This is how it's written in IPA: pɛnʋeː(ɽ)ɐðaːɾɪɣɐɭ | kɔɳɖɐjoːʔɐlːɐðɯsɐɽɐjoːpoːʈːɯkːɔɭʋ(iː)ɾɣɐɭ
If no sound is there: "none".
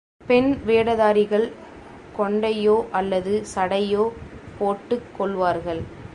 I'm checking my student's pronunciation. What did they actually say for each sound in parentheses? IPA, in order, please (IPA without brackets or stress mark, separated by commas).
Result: ɽ, aː